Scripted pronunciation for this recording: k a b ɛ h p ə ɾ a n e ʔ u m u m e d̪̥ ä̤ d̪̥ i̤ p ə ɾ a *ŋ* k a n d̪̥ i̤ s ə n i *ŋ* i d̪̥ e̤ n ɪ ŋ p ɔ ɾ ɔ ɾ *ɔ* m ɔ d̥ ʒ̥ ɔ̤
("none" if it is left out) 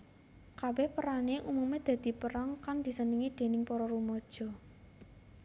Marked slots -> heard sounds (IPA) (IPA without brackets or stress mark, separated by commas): ŋ, ŋ, u